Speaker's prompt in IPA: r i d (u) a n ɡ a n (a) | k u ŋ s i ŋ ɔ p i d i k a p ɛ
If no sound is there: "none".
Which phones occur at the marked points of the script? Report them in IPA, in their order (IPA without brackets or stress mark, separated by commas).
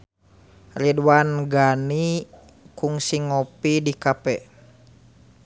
w, i